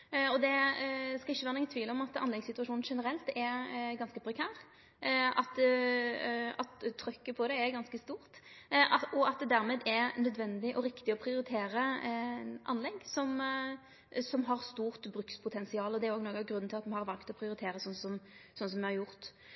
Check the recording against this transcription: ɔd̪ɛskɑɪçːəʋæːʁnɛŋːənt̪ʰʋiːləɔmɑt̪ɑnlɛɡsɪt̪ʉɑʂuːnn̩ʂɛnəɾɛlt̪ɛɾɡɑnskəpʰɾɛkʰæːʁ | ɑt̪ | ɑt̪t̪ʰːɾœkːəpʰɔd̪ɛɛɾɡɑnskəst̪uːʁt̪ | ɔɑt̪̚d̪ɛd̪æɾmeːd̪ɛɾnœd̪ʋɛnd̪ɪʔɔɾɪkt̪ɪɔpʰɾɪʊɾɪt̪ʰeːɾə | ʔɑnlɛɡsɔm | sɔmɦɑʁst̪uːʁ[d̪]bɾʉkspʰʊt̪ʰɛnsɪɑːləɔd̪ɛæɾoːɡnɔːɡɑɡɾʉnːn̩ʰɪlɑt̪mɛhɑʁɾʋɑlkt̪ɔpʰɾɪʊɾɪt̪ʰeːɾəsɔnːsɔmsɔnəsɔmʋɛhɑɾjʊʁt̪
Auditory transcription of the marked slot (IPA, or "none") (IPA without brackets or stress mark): t̪